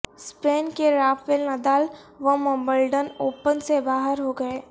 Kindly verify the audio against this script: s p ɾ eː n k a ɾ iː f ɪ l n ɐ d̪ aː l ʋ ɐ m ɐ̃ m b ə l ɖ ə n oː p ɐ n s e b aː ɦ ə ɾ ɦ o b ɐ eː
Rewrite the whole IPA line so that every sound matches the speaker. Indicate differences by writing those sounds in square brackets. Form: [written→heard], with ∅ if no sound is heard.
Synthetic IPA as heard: s p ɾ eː n k [a→e] ɾ [iː→aː] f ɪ l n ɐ d̪ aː l ʋ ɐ m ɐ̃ m b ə l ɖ ə n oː p [ɐ→ə] n s e b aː ɦ ə ɾ ɦ o [b→ɡ] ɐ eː